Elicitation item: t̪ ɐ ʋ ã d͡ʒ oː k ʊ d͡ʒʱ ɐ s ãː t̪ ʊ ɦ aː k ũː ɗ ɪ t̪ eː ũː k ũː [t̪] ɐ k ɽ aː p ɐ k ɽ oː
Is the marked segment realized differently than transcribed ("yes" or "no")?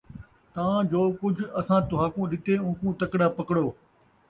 no